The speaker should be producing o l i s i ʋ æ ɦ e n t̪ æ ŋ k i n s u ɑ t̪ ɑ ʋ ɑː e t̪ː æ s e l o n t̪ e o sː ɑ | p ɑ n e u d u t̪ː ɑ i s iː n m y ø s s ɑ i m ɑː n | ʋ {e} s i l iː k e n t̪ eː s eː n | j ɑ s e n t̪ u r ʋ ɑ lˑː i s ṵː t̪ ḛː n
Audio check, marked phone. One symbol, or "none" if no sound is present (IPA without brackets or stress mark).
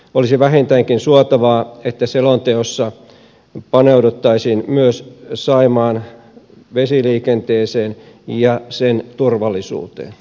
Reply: e